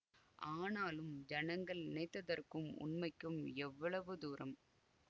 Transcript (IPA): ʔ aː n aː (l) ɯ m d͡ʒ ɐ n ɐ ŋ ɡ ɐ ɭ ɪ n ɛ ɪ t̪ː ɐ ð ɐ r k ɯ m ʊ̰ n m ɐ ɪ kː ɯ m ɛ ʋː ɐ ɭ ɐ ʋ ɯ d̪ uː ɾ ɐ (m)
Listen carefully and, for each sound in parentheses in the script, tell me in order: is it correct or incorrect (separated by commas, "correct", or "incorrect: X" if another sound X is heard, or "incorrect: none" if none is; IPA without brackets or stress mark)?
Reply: correct, correct